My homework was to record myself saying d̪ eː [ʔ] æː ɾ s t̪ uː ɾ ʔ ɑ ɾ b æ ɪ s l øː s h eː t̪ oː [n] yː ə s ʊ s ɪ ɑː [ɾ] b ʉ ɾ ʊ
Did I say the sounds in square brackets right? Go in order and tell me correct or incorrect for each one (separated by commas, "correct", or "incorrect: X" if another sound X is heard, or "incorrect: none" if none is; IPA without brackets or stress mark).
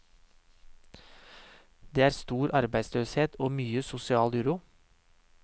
incorrect: none, incorrect: m, incorrect: l